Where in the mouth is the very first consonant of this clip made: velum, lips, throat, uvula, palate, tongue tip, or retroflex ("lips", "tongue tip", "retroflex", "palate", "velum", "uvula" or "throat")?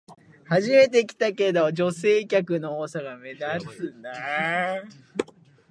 throat